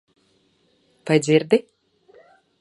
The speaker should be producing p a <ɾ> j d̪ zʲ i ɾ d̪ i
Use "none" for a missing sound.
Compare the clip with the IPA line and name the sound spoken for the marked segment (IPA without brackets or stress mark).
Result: none